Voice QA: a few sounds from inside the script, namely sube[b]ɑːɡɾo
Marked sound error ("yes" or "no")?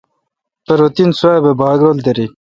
no